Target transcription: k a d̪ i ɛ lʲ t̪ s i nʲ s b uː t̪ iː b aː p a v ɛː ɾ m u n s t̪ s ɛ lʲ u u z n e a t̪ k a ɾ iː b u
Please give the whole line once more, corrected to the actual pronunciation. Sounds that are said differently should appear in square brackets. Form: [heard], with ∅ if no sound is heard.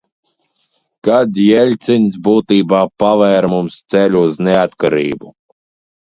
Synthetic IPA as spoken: k a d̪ [j] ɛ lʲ t̪ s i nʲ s b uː t̪ iː b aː p a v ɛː ɾ m u [m] s t̪ s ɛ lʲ u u z n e a t̪ k a ɾ iː b u